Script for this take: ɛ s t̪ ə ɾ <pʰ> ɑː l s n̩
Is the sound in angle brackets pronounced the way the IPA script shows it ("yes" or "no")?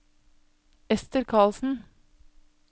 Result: no